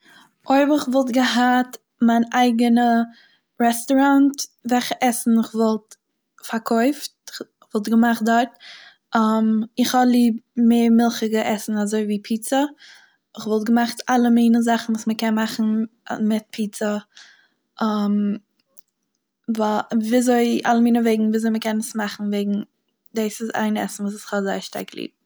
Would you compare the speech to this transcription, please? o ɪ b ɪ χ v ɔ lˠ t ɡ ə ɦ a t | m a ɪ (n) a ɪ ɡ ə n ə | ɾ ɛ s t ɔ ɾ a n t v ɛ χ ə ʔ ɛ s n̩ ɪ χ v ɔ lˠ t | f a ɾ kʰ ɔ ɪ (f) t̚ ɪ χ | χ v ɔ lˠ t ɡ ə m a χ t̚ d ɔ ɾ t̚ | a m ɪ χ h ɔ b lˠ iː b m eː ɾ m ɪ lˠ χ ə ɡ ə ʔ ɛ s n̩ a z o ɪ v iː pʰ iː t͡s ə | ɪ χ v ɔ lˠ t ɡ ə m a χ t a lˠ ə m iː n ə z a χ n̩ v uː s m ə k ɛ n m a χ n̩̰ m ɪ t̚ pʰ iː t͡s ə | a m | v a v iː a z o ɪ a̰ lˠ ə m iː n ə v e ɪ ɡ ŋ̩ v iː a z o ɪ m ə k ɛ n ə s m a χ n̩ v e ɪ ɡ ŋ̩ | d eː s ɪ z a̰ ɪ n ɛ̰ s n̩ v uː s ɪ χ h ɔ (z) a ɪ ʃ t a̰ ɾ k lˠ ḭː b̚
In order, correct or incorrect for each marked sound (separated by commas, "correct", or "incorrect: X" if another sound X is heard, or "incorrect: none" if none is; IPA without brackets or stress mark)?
correct, correct, correct